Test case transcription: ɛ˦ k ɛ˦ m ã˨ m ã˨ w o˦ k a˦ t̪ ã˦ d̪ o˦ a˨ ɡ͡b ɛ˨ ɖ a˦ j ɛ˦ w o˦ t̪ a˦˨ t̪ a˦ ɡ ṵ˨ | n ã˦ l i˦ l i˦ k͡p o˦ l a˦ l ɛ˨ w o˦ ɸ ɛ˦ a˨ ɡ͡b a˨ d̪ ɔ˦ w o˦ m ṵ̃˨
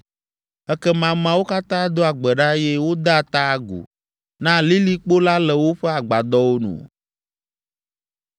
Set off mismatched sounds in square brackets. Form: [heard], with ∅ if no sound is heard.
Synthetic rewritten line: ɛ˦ k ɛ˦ m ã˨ m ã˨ w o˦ k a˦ t̪ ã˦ d̪ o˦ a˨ ɡ͡b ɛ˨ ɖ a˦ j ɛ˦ w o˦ [d̪] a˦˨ t̪ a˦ ɡ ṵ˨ | n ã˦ l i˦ l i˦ k͡p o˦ l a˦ l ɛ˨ w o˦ ɸ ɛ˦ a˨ ɡ͡b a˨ d̪ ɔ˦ w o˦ [n] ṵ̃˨